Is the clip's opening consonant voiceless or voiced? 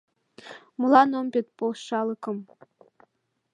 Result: voiced